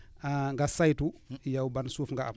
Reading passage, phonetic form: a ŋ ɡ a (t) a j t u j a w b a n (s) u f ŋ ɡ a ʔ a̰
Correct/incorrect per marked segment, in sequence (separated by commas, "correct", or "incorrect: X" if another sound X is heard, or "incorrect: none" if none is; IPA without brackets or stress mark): incorrect: s, correct